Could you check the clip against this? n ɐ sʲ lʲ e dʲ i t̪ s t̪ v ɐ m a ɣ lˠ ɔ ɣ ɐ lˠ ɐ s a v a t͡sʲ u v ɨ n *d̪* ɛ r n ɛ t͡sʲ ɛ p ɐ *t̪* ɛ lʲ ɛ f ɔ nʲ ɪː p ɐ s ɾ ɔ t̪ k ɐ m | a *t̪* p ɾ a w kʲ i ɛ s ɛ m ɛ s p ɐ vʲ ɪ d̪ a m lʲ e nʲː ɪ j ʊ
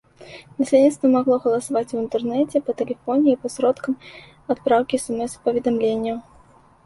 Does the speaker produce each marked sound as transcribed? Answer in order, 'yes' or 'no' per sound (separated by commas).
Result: no, yes, yes